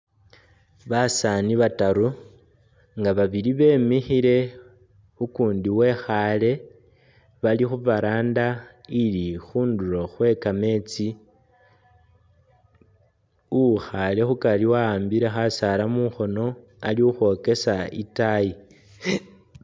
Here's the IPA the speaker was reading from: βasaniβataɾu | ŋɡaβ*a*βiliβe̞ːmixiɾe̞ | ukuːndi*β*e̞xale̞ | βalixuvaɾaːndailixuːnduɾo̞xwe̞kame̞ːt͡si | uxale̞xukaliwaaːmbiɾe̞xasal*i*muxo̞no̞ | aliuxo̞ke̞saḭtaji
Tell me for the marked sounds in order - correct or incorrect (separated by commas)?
correct, incorrect, incorrect